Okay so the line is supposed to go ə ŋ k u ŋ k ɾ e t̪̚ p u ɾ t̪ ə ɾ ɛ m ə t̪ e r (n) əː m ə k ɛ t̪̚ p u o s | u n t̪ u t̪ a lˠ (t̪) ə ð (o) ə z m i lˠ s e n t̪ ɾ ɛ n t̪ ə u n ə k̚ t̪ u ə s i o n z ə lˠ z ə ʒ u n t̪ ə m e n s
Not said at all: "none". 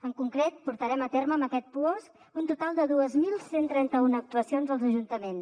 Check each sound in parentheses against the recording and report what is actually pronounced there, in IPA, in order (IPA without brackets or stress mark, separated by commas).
m, d̪, u